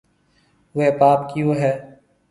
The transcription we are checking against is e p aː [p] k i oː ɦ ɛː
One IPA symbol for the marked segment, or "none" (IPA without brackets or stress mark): p